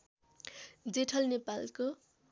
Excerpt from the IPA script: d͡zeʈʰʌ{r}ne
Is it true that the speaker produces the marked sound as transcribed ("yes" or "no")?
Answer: no